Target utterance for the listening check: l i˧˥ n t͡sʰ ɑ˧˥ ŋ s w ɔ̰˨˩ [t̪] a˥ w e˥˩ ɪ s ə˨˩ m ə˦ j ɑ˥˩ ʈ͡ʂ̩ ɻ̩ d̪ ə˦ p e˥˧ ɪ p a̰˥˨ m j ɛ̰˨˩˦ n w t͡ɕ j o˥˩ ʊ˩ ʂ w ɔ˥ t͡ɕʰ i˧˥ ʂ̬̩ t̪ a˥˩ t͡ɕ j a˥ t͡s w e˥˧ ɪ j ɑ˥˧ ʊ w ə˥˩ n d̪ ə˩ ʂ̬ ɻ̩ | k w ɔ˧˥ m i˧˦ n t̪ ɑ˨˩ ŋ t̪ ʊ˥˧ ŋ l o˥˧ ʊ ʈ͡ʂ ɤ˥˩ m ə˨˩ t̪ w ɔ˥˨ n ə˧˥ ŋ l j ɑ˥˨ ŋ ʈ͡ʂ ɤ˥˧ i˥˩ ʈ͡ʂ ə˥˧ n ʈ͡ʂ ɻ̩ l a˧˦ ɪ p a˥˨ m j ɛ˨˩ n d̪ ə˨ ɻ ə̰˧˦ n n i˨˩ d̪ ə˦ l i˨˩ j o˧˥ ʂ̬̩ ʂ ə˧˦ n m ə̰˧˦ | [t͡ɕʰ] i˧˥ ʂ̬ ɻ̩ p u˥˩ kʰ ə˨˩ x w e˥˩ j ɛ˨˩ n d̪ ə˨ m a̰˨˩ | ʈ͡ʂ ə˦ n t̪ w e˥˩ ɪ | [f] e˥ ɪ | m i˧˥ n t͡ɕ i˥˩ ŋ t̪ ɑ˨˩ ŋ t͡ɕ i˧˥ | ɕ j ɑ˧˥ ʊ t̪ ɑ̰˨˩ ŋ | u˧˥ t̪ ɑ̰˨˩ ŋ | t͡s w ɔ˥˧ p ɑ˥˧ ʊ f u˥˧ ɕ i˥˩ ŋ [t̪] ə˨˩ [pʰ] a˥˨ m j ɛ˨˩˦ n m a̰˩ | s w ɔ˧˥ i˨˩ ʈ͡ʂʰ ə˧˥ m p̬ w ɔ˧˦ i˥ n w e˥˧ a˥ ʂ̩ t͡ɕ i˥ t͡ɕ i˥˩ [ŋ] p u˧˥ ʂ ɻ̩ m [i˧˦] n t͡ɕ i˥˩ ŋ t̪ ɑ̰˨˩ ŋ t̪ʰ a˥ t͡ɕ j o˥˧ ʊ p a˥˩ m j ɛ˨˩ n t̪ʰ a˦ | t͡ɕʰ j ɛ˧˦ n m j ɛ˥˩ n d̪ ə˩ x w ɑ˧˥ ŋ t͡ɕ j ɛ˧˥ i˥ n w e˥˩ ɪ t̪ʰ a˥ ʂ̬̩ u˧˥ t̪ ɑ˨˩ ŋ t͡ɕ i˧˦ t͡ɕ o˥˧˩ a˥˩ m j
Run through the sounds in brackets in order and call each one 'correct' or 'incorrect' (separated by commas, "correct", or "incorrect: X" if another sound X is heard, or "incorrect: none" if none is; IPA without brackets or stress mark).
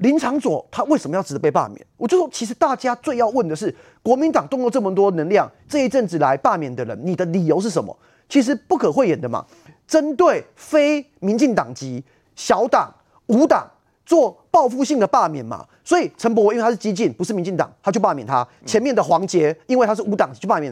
incorrect: t̪ʰ, correct, correct, incorrect: d̪, incorrect: p, incorrect: n, correct